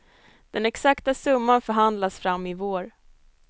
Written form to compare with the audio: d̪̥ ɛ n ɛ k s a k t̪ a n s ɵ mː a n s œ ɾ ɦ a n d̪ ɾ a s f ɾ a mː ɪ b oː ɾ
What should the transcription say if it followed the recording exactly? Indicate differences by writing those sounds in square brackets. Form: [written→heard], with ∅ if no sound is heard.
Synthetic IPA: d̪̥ ɛ n ɛ k s a k t̪ a [n→∅] s ɵ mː a n [s→f] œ ɾ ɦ a n d̪ [ɾ→l] a s f ɾ a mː ɪ [b→v] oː ɾ